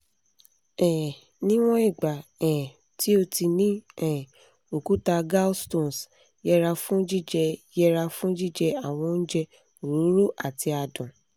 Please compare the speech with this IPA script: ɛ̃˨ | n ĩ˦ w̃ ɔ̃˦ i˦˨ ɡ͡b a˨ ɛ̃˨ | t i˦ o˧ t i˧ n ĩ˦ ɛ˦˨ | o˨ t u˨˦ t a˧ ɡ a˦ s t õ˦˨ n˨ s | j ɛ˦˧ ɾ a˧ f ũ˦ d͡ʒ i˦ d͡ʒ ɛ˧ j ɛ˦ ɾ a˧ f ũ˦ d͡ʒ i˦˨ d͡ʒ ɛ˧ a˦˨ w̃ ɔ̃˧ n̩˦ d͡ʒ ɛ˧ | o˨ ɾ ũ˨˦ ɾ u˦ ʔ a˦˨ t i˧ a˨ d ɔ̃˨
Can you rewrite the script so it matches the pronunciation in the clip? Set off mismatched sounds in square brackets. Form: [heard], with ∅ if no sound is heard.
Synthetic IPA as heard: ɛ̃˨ | n ĩ˦ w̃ ɔ̃˦ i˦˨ ɡ͡b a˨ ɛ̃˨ | t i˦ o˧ t i˧ n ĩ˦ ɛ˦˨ | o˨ [k] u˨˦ t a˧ ɡ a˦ s t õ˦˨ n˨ s | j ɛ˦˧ ɾ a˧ f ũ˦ d͡ʒ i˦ d͡ʒ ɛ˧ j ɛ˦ ɾ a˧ f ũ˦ d͡ʒ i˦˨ d͡ʒ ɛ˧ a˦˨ w̃ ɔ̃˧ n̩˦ d͡ʒ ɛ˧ | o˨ ɾ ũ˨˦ ɾ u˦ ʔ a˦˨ t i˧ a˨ d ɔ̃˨